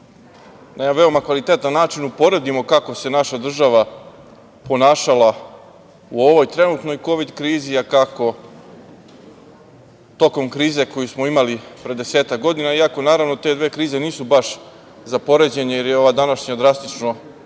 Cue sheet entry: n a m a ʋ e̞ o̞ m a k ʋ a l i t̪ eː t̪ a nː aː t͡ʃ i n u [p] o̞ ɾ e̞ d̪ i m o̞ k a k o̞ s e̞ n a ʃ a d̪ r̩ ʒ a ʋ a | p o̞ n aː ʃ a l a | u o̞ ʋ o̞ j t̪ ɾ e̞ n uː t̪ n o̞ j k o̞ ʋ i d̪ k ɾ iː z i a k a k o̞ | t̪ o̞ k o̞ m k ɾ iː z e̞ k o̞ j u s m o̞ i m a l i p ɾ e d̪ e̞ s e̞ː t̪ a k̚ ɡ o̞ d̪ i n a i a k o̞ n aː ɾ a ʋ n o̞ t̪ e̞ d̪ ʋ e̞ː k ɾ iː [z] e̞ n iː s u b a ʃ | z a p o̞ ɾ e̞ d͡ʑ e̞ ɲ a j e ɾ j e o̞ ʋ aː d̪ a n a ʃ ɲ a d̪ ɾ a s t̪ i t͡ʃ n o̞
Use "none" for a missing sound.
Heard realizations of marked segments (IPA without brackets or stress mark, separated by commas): p, z